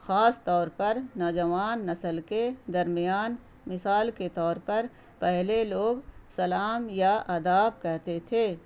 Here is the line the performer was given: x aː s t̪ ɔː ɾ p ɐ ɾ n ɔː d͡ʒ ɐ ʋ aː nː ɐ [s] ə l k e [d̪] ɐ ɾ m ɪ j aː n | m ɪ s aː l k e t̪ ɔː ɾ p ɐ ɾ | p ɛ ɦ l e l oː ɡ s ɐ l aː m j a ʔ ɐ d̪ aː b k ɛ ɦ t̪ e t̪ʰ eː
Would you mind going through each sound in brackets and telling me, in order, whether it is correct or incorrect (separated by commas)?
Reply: correct, correct